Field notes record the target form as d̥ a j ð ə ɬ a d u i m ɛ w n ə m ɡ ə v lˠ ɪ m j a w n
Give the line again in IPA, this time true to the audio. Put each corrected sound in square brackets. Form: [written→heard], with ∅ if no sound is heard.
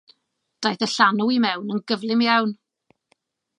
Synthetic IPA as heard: d̥ a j [ð→θ] ə ɬ a [d→n] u i m ɛ w n ə [m→n] ɡ ə v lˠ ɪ m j a w n